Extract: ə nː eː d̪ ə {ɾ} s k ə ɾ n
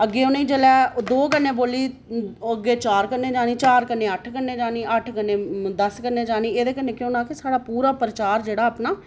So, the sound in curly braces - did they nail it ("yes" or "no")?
no